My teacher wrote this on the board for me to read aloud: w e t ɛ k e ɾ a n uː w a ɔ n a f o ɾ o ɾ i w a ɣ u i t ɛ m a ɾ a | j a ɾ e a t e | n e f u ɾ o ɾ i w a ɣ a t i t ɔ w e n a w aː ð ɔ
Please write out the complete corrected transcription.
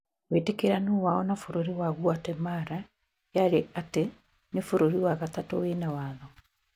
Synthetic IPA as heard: w e t e k e ɾ a n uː w a ɔ n a f o ɾ o ɾ i w a ɣ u a t ɛ m a ɾ a | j a ɾ e a t e | n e f o ɾ o ɾ i w a ɣ a t a t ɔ w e n a w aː ð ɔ